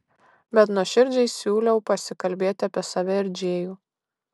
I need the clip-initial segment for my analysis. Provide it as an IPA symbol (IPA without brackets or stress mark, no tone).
bʲ